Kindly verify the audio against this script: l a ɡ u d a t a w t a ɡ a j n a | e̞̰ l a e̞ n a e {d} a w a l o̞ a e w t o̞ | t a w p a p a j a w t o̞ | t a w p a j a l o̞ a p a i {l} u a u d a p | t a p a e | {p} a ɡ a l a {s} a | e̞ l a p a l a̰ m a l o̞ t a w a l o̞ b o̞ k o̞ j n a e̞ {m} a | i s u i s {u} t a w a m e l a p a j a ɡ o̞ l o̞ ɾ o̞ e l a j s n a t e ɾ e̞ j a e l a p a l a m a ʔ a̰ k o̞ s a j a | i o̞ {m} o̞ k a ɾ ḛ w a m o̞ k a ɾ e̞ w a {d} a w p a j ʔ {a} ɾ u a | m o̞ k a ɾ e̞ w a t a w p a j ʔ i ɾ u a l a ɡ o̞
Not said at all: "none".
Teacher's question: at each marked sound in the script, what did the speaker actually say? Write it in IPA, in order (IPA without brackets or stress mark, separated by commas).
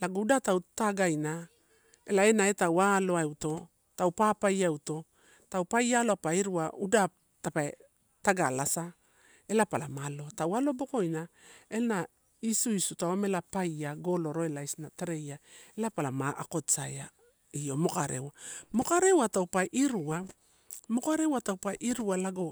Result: t, ɾ, t, s, n, u, m, t, i